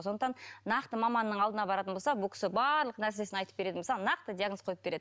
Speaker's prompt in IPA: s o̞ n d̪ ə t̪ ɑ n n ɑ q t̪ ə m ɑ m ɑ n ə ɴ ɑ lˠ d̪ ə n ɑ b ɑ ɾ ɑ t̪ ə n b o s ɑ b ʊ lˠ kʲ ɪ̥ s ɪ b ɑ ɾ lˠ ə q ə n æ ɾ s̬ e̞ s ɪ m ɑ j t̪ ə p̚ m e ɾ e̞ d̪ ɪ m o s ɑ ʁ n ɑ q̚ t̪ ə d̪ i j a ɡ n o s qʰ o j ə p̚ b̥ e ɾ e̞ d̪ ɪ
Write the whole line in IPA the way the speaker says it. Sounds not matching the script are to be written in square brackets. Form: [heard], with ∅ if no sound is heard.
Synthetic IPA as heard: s o̞ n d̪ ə t̪ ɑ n n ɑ q t̪ ə m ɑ m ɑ [nː] ə ɴ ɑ lˠ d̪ ə n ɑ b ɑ ɾ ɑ t̪ ə n b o s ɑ b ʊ lˠ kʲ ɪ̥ s ɪ b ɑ ɾ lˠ ə q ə n æ ɾ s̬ e̞ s ɪ [n] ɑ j t̪ ə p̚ [b] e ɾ e̞ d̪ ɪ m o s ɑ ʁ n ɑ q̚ t̪ ə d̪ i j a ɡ n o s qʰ o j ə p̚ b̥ e ɾ e̞ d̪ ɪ